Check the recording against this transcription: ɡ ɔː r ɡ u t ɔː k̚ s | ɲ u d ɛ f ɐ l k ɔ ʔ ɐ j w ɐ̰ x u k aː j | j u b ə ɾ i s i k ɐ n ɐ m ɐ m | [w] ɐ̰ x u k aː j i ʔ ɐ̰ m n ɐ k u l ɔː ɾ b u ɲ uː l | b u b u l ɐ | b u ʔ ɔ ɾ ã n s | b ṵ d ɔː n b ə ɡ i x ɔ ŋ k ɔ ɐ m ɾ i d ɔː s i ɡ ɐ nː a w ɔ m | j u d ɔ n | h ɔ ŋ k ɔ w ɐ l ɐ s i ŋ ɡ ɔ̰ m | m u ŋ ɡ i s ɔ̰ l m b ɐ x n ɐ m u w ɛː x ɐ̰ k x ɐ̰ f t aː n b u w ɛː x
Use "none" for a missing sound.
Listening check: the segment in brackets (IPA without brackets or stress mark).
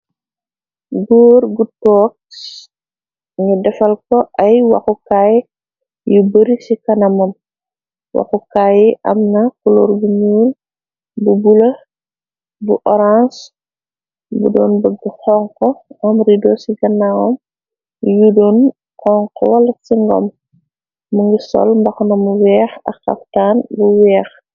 w